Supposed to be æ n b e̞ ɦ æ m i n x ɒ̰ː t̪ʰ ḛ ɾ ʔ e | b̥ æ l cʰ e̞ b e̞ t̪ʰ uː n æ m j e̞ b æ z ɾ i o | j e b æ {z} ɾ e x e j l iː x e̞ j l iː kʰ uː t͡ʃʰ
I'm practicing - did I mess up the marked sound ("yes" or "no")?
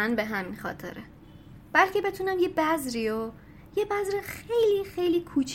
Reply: no